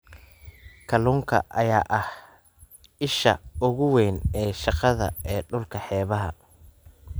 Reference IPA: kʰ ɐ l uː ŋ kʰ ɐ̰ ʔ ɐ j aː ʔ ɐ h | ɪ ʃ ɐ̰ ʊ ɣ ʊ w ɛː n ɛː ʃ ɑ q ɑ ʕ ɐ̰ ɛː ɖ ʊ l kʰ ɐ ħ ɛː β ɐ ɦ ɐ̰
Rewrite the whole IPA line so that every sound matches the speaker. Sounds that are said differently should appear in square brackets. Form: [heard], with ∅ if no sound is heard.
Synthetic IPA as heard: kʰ ɐ l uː ŋ kʰ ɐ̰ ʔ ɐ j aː ʔ ɐ h | ɪ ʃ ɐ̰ ʊ ɣ ʊ w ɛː n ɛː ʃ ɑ q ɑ [ð] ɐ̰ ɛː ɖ ʊ l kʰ ɐ ħ ɛː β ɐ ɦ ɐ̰

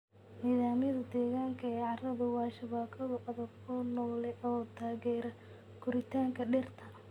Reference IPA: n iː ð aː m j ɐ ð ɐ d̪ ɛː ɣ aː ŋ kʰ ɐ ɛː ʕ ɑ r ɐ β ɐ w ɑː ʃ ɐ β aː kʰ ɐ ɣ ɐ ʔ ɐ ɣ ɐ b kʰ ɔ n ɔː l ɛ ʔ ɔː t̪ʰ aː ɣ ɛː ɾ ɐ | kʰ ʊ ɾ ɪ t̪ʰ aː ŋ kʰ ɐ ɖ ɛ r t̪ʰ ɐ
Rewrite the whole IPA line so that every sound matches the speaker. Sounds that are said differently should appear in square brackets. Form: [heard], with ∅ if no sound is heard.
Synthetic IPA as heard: n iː ð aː m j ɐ ð ɐ d̪ ɛː ɣ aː ŋ kʰ ɐ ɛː ʕ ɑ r ɐ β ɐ w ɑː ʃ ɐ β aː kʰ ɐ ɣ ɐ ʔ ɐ [ð] ɐ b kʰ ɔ n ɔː l ɛ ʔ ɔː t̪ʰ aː ɣ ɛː ɾ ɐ | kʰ ʊ ɾ ɪ t̪ʰ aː ŋ kʰ ɐ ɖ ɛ r t̪ʰ ɐ

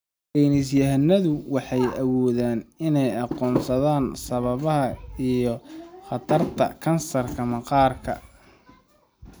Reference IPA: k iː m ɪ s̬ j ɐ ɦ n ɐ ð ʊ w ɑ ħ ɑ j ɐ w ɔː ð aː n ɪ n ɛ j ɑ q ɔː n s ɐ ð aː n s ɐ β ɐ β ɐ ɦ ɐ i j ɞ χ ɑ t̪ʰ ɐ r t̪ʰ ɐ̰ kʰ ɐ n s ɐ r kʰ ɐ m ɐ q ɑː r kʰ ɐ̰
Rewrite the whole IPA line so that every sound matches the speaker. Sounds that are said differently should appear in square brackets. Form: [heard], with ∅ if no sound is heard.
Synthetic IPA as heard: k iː [n] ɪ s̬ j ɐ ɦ n ɐ ð ʊ w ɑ ħ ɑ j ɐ w ɔː ð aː n ɪ n ɛ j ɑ q ɔː n s ɐ ð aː n s ɐ β ɐ β ɐ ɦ ɐ i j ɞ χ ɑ t̪ʰ ɐ r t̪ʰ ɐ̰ kʰ ɐ n s ɐ r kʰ ɐ m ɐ q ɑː r kʰ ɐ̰

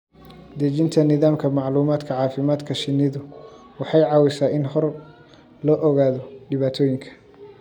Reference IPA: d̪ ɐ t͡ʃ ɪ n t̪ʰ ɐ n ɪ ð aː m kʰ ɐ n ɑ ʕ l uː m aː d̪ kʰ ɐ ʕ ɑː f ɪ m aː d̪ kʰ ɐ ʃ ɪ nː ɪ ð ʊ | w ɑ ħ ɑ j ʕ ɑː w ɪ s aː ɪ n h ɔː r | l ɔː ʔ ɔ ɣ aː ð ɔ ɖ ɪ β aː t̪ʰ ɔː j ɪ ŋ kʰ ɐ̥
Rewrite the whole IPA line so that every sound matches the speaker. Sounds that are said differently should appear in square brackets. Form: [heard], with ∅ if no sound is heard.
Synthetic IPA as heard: d̪ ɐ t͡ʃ ɪ n t̪ʰ ɐ n ɪ ð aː m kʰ ɐ [m] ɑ ʕ l uː m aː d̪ kʰ ɐ ʕ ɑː f ɪ m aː d̪ kʰ ɐ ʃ ɪ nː ɪ ð ʊ | w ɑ ħ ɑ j ʕ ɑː w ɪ s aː ɪ n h [ɔ] r | l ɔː ʔ ɔ ɣ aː ð ɔ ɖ ɪ β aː t̪ʰ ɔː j ɪ ŋ kʰ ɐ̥

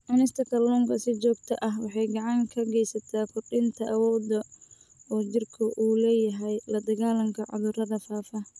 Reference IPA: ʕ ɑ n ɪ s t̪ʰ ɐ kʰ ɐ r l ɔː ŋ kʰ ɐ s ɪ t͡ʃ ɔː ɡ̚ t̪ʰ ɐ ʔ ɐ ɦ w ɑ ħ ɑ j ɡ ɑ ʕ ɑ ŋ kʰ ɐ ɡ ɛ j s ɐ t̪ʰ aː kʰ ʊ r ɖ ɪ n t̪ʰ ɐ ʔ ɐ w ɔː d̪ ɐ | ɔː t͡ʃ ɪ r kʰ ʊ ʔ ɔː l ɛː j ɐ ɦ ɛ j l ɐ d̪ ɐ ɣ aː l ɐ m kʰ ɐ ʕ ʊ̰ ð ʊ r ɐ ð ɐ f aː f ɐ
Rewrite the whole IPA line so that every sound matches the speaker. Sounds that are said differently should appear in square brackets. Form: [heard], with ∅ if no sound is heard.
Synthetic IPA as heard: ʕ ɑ n ɪ s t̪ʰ ɐ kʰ ɐ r l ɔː ŋ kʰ ɐ s ɪ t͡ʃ ɔː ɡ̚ t̪ʰ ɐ ʔ ɐ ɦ w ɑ ħ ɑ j ɡ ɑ ʕ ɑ ŋ kʰ ɐ ɡ ɛ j s ɐ t̪ʰ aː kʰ ʊ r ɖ ɪ n t̪ʰ ɐ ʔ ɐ w ɔː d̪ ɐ | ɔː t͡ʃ ɪ r kʰ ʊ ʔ [uː] l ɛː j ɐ ɦ ɛ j l ɐ d̪ ɐ ɣ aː l ɐ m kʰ ɐ ʕ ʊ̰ ð ʊ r ɐ ð ɐ f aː f ɐ

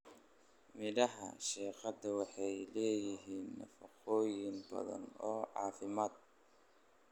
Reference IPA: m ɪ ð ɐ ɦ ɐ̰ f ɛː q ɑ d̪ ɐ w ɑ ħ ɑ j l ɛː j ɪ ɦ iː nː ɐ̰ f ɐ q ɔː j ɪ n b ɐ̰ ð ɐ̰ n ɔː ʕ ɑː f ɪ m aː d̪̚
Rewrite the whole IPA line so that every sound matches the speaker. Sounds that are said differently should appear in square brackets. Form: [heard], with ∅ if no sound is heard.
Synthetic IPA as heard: m ɪ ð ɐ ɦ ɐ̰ [ʃ] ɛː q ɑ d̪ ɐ w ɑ ħ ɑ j l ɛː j ɪ ɦ iː nː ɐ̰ f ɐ q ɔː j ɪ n b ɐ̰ ð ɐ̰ n ɔː ʕ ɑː f ɪ m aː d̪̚

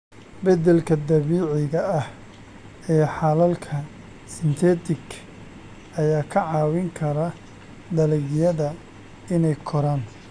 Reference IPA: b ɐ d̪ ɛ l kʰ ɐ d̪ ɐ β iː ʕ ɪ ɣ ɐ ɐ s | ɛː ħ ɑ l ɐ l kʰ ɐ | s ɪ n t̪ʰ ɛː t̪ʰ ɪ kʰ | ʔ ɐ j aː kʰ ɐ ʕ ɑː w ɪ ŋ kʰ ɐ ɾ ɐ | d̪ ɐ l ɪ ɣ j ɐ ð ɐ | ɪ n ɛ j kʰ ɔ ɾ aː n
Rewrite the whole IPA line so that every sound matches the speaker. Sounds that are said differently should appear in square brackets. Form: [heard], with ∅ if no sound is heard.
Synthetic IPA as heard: b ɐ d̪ ɛ l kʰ ɐ d̪ ɐ β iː ʕ ɪ ɣ ɐ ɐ [h] | ɛː ħ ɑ l ɐ l kʰ ɐ | s ɪ n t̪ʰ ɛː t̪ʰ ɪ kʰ | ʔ ɐ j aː kʰ ɐ ʕ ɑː w ɪ ŋ kʰ ɐ ɾ ɐ | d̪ ɐ l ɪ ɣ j ɐ ð ɐ | ɪ n ɛ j kʰ ɔ ɾ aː n

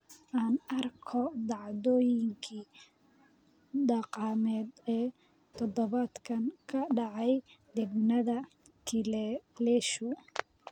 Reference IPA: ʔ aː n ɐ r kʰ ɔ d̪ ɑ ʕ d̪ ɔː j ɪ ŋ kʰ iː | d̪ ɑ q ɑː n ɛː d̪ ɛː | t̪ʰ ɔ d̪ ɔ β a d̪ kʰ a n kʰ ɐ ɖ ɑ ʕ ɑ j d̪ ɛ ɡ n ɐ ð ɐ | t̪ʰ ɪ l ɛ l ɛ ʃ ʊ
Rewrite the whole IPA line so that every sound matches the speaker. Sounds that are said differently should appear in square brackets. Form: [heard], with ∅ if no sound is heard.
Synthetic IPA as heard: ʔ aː n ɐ r kʰ ɔ d̪ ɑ ʕ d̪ ɔː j ɪ ŋ kʰ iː | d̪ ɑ q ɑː [m] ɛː d̪ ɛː | t̪ʰ ɔ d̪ ɔ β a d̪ kʰ [ɐ] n kʰ ɐ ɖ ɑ ʕ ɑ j d̪ ɛ ɡ n ɐ ð ɐ | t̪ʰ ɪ l ɛ l ɛ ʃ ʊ

